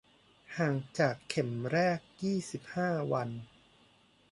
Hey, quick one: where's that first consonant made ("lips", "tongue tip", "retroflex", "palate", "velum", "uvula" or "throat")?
throat